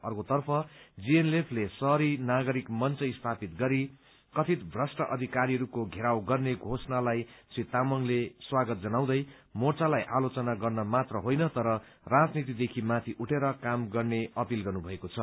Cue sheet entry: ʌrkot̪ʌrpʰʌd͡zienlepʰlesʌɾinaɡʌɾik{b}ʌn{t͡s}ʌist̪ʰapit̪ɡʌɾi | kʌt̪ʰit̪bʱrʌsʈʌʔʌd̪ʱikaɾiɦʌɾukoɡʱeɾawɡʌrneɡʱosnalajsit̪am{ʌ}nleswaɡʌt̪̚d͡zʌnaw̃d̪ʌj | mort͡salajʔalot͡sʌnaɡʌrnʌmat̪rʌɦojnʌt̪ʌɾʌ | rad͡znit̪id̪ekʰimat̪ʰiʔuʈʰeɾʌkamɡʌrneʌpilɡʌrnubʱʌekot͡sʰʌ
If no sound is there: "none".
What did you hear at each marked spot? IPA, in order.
m, t͡s, ʌ

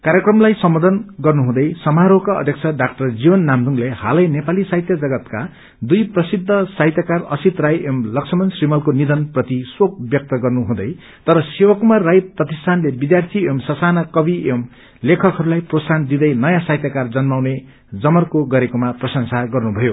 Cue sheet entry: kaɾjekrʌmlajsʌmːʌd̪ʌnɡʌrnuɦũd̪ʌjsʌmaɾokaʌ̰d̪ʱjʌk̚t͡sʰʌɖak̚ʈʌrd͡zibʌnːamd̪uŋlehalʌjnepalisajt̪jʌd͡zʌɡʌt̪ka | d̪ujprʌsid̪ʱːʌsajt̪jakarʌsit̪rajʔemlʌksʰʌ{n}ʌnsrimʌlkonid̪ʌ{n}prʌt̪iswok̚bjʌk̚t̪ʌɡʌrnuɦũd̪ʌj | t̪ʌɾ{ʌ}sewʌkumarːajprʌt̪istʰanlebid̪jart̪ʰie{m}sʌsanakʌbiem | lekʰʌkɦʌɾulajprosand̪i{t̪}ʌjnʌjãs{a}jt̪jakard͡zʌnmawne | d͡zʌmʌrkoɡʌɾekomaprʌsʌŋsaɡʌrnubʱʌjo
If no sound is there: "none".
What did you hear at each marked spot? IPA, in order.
m, n, ʌ, m, d̪, a

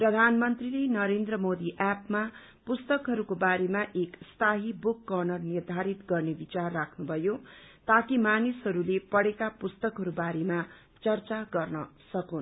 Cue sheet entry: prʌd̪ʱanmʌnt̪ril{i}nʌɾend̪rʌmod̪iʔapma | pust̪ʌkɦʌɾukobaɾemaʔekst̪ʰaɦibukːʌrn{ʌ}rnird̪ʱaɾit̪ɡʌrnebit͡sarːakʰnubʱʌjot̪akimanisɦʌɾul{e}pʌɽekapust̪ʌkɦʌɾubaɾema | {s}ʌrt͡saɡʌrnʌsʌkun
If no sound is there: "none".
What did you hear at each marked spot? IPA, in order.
e, ʌ, e, t͡s

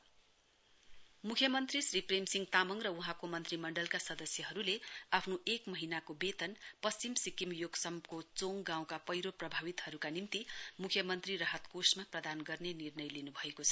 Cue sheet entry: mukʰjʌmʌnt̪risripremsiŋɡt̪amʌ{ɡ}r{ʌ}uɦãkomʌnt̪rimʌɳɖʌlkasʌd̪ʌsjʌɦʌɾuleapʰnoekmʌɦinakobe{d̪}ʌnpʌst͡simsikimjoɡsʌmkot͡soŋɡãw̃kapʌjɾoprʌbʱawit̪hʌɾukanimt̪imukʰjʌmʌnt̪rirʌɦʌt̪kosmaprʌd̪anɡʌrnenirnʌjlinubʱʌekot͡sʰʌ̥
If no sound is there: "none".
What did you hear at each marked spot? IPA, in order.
ŋ, ʌ, t̪

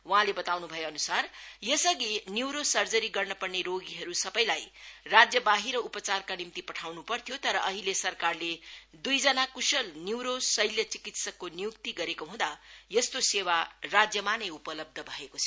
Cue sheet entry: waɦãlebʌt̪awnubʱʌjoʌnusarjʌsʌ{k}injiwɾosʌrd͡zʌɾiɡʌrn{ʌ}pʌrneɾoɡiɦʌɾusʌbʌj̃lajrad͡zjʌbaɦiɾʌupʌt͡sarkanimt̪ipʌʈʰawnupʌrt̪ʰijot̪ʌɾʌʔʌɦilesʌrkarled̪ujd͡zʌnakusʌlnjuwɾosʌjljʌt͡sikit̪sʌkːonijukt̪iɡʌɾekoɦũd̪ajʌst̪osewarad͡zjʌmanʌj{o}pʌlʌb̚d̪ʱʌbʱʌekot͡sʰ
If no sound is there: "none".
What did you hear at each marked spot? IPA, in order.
ɡ, ʌ, u

